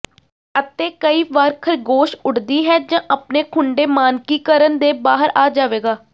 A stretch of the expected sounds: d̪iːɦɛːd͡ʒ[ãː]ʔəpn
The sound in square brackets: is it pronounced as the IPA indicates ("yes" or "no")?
yes